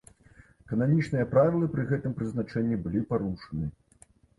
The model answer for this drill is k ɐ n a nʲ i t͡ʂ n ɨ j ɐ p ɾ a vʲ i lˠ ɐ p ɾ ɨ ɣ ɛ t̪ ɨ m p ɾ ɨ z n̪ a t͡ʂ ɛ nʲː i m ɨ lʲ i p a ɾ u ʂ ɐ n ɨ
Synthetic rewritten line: k ɐ n a mʲ i t͡ʂ n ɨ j ɐ p ɾ a vʲ i lˠ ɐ p ɾ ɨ ɣ ɛ t̪ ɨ m p ɾ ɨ z n̪ a t͡ʂ ɛ nʲː i b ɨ lʲ i p a ɾ u ʂ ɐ n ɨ